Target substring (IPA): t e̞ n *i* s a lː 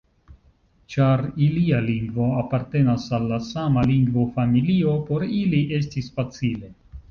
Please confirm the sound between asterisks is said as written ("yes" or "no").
no